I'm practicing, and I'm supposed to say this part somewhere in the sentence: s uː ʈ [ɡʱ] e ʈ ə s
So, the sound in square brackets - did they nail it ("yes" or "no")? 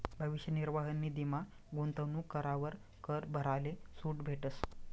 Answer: no